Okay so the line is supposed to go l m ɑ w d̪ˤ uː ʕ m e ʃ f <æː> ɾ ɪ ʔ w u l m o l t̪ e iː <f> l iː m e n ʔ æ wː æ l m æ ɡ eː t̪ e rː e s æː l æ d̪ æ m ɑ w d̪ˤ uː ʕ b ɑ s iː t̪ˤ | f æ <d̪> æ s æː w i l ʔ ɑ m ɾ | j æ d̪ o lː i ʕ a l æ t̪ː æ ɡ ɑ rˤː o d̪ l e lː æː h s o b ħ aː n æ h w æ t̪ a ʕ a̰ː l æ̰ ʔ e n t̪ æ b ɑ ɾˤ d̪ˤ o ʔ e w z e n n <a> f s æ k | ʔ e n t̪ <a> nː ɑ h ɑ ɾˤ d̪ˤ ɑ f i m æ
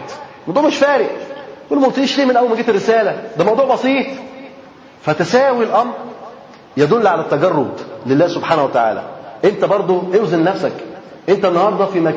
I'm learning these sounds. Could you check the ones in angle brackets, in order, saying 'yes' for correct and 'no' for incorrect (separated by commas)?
yes, no, no, no, no